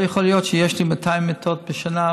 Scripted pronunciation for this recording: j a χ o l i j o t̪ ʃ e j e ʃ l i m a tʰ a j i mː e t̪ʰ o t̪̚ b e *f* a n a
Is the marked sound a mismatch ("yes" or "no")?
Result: yes